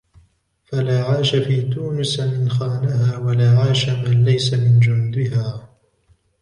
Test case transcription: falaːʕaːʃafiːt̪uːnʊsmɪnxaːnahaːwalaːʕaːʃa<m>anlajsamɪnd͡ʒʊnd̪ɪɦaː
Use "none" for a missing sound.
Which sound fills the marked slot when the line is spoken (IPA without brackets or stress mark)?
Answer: m